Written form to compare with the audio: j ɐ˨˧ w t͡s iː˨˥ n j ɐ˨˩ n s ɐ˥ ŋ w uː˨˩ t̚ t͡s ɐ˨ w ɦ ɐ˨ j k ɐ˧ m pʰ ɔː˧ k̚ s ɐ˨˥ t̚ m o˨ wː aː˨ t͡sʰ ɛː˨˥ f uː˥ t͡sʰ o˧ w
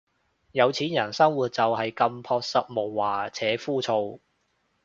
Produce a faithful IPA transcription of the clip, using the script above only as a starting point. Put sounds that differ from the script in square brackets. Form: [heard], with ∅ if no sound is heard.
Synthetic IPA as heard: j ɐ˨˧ w [t͡sʰ] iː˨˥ n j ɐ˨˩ n s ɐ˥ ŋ w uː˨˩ t̚ t͡s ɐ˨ w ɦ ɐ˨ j k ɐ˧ m pʰ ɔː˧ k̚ s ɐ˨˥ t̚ m o˨ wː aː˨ t͡sʰ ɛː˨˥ f uː˥ t͡sʰ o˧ w